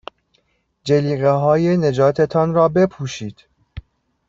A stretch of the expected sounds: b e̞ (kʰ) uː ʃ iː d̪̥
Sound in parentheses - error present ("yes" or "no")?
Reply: yes